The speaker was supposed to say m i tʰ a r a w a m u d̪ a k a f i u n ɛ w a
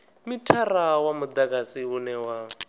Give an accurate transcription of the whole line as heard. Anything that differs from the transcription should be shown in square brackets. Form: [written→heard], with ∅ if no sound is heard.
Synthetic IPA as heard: m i tʰ a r a w a m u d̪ a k a [f→s] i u n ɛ w a